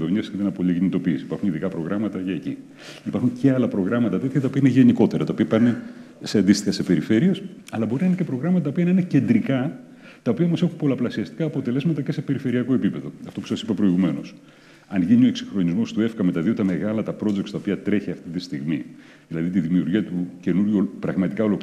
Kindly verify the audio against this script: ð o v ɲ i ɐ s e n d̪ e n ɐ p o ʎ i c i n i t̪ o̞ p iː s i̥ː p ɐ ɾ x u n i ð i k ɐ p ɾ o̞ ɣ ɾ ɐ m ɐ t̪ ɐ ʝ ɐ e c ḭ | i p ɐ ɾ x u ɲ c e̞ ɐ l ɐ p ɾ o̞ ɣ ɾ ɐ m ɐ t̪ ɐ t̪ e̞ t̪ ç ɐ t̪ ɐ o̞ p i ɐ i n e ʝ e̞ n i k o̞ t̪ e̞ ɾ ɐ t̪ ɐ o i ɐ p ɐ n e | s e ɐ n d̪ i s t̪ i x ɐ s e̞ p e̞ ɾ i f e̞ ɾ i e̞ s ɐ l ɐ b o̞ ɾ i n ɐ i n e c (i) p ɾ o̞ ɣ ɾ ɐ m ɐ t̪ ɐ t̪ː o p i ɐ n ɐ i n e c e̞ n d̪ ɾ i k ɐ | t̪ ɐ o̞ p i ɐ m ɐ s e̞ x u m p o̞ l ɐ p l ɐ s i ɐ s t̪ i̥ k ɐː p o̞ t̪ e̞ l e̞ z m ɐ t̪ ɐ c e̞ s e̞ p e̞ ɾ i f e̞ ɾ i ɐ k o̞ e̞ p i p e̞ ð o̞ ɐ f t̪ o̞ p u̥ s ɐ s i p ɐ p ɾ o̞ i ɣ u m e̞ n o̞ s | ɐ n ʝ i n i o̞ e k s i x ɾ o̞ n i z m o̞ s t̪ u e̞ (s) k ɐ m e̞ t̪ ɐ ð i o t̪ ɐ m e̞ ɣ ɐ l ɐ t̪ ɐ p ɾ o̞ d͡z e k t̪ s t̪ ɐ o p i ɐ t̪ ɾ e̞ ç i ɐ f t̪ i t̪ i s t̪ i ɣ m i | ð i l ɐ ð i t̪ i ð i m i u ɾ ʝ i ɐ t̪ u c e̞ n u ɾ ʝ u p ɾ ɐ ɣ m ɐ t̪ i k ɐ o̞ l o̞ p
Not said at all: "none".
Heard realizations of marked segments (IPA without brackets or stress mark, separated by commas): e, f